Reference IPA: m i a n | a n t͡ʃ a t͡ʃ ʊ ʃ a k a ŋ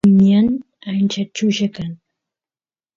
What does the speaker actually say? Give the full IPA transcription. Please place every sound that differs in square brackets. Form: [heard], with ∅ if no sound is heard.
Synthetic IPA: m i a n | a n t͡ʃ a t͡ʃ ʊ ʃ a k a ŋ